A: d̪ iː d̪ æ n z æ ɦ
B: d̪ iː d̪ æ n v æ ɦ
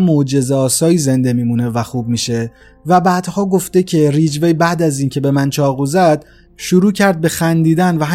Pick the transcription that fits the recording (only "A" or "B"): B